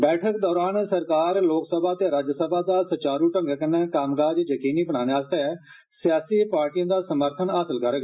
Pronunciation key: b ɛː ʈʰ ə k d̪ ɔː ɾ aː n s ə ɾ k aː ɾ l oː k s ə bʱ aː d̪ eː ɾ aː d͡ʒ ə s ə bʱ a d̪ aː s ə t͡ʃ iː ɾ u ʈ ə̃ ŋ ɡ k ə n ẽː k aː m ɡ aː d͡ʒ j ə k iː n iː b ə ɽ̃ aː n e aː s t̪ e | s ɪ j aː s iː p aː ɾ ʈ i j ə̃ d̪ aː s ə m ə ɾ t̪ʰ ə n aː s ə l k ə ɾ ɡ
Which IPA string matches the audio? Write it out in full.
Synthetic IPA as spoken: b ɛː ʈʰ ə k d̪ ɔː ɾ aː n s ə ɾ k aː ɾ l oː k s ə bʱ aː t̪ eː ɾ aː d͡ʒ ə s ə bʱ a d̪ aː s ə t͡ʃ aː ɾ u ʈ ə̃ ŋ ɡ k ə n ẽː k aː m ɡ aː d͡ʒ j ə k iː n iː b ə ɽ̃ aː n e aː s t̪ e | s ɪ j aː s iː p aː ɾ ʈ i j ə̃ d̪ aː s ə m ə ɾ t̪ʰ ə n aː s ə l k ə ɾ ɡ